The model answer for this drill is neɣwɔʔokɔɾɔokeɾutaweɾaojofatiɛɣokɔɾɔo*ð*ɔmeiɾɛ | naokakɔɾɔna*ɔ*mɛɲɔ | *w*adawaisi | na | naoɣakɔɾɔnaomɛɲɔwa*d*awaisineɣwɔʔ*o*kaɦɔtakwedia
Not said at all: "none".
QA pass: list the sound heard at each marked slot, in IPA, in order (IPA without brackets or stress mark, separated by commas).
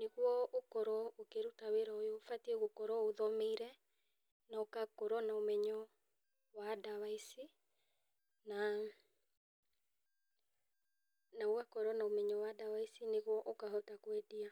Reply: ð, o, w, d, o